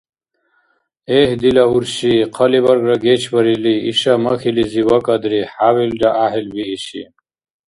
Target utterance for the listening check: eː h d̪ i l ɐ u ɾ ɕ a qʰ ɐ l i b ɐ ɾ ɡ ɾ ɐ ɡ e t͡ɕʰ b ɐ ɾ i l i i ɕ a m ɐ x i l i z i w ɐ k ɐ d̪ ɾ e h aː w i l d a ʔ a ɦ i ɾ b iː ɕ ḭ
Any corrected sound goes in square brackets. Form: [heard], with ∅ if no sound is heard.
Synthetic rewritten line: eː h d̪ i l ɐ u ɾ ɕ [i] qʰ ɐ l i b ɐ ɾ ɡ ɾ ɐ ɡ e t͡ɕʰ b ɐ ɾ i l i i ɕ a m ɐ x i l i z i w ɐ k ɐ d̪ ɾ [i] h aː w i l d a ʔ a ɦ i [l] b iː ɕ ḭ